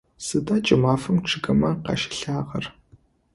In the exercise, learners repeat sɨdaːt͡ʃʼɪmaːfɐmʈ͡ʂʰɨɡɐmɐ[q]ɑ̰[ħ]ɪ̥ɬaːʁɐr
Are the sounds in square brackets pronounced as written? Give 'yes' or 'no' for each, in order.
yes, no

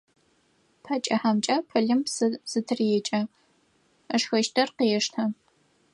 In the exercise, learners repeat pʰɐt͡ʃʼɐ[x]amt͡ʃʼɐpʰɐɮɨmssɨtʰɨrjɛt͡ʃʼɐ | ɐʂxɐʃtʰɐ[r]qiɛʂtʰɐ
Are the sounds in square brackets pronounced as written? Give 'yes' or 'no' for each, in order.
no, yes

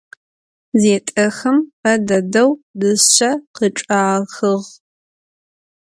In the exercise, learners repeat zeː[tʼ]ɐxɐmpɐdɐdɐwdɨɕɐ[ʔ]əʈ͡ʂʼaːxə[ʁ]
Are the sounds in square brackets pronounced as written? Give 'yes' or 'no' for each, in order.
yes, no, yes

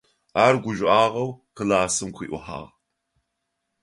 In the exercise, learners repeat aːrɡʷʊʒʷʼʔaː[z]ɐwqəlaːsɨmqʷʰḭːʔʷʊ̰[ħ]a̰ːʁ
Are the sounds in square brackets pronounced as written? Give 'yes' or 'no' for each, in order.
no, yes

